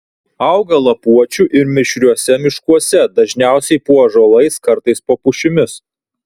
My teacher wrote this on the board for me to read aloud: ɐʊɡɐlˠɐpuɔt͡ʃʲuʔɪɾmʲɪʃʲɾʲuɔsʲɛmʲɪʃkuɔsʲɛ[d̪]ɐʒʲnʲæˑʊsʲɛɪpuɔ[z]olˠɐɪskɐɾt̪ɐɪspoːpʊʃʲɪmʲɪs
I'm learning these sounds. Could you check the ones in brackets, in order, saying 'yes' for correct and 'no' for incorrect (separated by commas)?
yes, no